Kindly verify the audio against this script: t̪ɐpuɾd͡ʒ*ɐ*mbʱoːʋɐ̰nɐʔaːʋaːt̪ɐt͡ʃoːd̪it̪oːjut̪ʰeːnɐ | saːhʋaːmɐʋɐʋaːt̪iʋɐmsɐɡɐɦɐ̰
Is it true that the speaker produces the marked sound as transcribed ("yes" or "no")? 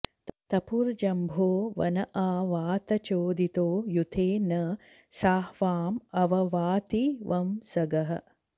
yes